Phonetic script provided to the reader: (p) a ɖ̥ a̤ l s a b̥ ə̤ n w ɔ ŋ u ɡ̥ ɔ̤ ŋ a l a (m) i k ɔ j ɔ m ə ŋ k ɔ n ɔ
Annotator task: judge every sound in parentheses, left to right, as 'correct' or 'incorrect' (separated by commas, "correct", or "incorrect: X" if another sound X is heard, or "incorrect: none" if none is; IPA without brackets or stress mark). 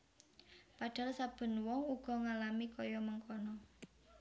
correct, correct